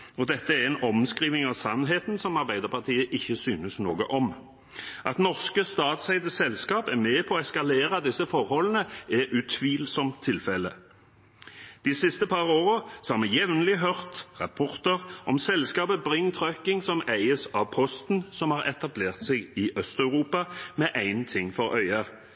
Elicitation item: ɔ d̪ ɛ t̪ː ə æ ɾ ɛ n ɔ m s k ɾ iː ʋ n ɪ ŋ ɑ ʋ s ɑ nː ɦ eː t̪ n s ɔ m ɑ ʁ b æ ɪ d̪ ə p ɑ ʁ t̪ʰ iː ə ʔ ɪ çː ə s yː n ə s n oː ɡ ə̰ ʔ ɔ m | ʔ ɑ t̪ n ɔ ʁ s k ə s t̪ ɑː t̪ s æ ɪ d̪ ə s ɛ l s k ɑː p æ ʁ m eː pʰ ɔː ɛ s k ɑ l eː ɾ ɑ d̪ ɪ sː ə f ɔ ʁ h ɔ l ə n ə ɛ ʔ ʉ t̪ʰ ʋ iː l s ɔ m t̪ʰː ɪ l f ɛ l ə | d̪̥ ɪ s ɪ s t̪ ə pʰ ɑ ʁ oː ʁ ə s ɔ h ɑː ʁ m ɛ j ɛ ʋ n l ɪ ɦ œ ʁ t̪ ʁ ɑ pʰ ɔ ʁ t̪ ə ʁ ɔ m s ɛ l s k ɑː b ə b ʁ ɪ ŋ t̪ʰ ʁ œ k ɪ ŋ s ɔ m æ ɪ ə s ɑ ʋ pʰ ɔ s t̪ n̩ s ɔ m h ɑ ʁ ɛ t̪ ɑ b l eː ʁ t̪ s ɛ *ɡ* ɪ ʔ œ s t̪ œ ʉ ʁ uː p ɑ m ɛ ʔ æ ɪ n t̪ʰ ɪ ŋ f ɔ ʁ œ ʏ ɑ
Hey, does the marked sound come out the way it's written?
yes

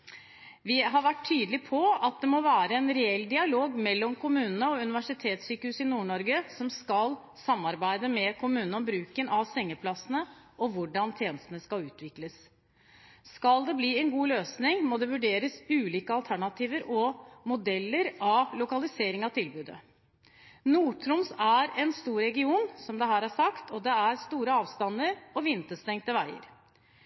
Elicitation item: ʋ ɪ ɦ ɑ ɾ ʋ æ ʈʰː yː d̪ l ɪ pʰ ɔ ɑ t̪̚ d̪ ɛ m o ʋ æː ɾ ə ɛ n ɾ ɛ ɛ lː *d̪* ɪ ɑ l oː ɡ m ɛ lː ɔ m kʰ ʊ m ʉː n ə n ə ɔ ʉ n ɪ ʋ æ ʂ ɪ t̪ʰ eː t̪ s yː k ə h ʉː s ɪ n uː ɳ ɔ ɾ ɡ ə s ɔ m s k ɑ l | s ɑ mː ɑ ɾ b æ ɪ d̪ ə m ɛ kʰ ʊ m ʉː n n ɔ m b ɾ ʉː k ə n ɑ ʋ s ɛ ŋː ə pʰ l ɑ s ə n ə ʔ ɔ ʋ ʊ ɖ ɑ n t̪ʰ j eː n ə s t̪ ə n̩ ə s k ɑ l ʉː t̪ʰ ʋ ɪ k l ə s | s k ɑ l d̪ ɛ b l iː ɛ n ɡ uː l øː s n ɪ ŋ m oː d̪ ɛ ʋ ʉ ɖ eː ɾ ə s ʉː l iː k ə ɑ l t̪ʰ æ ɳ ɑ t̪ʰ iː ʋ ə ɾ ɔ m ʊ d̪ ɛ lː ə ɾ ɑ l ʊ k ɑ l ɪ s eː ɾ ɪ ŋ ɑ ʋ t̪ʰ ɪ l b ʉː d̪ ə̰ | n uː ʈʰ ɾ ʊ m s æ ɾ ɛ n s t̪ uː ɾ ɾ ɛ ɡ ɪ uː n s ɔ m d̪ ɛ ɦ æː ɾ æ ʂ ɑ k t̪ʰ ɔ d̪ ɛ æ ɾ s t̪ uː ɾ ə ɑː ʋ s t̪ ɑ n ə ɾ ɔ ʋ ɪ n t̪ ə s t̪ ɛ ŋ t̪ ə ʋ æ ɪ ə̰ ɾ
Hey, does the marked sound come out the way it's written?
yes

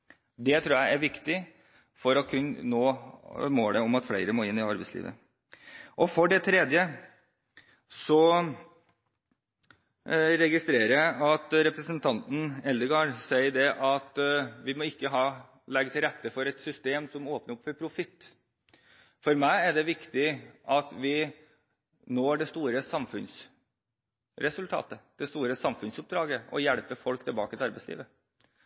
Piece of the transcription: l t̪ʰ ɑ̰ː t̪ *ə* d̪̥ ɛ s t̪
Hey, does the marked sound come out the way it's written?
yes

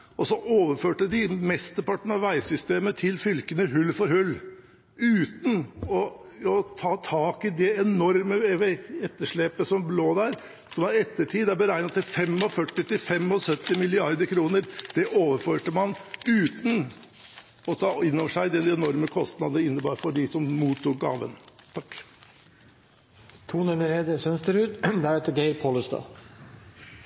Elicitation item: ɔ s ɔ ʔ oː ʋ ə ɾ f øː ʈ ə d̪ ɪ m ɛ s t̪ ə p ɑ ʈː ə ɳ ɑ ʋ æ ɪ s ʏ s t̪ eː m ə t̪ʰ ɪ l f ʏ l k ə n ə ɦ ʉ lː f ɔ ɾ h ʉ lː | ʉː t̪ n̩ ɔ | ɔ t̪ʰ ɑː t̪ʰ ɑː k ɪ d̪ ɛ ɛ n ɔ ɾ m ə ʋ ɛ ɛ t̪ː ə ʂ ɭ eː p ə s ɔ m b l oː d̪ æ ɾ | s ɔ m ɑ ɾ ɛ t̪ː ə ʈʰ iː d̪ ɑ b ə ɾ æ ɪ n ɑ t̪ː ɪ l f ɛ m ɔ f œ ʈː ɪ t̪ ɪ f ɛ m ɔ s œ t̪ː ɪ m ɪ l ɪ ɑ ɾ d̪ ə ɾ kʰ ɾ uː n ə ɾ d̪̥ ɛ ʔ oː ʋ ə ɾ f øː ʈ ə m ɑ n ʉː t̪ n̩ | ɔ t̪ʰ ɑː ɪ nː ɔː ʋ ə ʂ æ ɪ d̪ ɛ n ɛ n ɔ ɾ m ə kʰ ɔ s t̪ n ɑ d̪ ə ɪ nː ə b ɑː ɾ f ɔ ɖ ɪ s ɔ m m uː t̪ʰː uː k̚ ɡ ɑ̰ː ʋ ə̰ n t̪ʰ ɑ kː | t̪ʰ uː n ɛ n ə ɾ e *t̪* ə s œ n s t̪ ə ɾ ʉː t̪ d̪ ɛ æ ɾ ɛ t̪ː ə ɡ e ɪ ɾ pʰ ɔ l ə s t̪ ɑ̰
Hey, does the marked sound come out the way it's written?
no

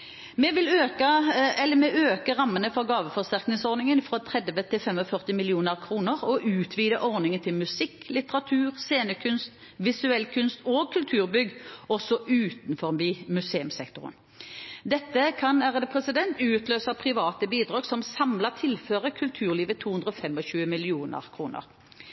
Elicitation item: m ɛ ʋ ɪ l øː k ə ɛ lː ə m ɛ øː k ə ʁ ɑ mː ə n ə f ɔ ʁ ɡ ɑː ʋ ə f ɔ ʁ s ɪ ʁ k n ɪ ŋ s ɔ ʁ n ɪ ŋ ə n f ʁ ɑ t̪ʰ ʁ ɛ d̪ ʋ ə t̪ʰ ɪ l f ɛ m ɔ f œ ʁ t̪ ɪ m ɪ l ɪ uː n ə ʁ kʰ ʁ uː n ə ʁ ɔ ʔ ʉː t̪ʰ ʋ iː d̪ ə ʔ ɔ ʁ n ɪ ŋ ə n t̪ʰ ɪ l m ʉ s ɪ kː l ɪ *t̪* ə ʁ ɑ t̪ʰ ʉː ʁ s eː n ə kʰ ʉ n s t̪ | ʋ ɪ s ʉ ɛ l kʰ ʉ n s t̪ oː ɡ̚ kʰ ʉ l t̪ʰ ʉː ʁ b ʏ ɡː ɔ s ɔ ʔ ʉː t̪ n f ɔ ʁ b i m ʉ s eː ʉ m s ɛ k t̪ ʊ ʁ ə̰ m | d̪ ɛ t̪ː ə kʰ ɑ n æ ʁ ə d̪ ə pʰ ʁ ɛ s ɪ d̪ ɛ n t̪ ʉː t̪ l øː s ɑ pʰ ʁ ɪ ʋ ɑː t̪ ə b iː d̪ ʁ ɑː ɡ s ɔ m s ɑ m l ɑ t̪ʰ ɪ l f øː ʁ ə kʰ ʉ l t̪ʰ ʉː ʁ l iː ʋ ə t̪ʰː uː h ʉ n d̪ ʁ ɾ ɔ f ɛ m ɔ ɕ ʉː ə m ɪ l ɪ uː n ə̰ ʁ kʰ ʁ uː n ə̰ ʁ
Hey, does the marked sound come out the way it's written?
yes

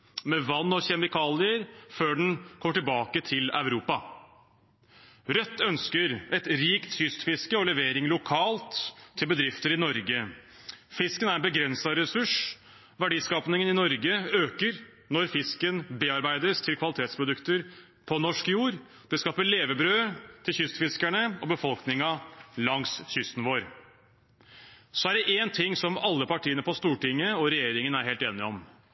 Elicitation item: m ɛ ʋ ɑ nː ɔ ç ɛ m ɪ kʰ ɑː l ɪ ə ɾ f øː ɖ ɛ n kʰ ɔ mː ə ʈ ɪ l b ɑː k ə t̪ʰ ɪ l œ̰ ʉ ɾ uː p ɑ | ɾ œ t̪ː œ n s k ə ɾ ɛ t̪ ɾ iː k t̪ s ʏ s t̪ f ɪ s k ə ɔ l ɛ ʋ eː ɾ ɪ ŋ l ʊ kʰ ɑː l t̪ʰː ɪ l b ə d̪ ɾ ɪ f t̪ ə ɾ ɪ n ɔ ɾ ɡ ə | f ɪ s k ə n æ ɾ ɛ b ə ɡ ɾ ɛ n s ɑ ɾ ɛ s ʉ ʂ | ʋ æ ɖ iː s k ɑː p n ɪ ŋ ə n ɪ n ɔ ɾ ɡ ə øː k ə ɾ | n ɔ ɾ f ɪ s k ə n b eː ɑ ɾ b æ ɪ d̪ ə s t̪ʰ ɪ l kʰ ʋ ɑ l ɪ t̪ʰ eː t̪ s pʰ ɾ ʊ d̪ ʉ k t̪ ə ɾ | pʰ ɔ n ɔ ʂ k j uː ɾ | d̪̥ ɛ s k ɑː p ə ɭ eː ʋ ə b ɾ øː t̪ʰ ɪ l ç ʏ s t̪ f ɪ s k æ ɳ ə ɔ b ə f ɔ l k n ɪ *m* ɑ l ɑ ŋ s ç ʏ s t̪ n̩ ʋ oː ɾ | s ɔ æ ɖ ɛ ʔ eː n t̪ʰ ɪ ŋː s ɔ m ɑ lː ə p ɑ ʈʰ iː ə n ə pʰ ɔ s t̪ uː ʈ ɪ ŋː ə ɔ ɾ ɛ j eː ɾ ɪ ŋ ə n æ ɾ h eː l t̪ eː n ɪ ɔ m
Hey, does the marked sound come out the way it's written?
no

